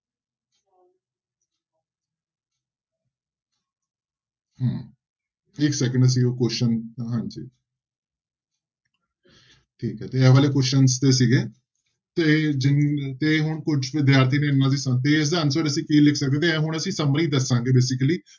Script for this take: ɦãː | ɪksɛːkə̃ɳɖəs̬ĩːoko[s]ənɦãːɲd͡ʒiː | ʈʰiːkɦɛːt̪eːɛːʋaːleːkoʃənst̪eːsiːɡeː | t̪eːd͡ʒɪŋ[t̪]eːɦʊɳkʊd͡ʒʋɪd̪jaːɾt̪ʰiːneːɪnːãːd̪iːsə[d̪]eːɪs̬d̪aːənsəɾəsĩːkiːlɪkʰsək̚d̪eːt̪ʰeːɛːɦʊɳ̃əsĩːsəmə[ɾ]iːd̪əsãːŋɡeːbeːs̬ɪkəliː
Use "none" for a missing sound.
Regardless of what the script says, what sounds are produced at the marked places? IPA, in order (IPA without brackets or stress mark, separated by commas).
ʃ, t̪, t̪, ɾ